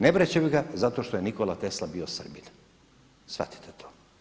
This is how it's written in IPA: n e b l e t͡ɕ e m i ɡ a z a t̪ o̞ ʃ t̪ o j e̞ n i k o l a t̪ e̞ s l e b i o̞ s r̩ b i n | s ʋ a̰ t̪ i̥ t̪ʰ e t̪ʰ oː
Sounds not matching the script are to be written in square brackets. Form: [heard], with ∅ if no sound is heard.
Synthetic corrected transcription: n e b [ɾ] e t͡ɕ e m i ɡ a z a t̪ o̞ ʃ t̪ o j e̞ n i k o l a t̪ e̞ s l [a] b i o̞ s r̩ b i n | s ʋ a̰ t̪ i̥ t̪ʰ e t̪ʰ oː